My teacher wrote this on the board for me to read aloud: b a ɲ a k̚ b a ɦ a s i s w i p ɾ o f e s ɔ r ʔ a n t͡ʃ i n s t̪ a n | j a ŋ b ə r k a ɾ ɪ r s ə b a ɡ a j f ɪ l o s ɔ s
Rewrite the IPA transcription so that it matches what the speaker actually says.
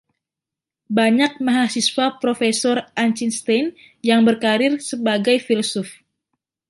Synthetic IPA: b a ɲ a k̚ m a ɦ a s i s w a p ɾ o f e s ɔ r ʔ a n t͡ʃ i n s t̪ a n | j a ŋ b ə r k a ɾ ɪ r s ə b a ɡ a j f i l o s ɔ f